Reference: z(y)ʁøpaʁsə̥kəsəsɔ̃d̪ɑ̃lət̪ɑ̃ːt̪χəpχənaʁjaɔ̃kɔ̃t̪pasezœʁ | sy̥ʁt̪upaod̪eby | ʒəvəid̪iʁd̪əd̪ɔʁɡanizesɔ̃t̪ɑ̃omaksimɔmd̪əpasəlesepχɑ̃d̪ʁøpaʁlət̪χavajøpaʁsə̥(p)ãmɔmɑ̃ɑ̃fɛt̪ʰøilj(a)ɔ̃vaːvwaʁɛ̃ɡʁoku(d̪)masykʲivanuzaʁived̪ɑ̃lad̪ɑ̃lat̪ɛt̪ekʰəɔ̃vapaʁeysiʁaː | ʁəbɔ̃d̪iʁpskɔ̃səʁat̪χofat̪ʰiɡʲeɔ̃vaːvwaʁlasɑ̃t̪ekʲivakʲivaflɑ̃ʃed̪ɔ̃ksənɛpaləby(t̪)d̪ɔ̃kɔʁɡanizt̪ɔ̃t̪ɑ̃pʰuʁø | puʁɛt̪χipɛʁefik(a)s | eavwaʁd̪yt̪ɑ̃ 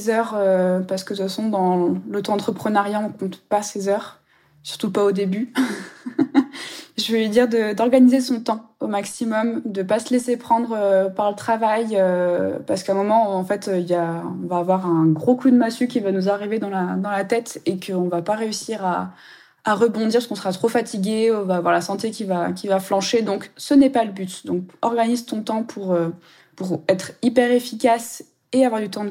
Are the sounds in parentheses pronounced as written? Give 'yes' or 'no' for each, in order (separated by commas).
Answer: no, no, yes, yes, yes, yes